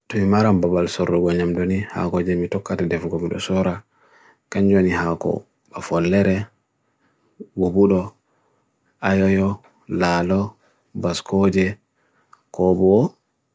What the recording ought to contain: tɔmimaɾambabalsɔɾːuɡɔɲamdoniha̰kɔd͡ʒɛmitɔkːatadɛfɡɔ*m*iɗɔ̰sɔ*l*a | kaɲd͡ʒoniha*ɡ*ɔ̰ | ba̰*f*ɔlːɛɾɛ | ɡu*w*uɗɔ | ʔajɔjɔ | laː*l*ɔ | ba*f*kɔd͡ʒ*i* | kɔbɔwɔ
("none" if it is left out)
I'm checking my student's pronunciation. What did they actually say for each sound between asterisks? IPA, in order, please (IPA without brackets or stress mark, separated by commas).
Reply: m, ɾ, k, f, b, l, s, ɛ